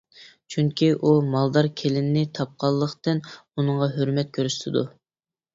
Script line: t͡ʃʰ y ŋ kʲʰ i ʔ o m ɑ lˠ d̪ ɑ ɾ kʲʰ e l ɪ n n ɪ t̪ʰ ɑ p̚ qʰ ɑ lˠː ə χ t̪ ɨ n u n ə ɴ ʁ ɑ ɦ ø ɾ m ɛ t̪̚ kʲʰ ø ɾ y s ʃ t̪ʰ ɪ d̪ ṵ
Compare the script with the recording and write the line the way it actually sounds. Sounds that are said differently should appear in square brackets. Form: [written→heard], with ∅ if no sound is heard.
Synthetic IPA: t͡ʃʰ y ŋ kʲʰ i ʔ [o→u] m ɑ lˠ d̪ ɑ ɾ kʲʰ e l ɪ n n ɪ t̪ʰ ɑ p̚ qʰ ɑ lˠː ə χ t̪ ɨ n u n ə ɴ ʁ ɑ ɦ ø ɾ m ɛ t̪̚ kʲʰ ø ɾ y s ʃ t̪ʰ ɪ d̪ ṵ